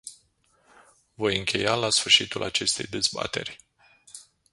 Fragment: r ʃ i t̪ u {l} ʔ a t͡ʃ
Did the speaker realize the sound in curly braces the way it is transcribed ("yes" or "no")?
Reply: yes